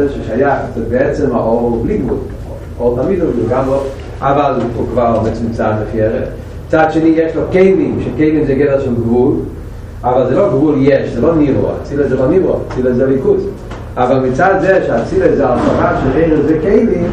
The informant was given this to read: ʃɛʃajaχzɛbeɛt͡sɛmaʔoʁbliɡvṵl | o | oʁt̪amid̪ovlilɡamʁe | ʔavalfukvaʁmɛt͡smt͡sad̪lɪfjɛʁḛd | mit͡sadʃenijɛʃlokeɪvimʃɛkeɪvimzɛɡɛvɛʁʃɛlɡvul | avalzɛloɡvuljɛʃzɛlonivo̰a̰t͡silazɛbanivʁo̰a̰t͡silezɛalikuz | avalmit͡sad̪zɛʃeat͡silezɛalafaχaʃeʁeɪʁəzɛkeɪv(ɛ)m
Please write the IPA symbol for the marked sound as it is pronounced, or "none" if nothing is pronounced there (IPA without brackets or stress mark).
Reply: i